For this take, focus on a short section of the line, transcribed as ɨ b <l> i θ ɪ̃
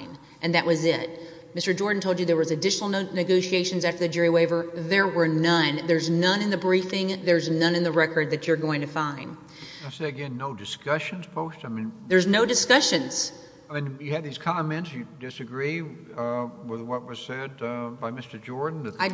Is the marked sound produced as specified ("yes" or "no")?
no